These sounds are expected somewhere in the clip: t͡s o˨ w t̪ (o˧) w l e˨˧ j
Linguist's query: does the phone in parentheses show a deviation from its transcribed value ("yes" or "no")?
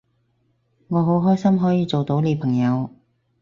yes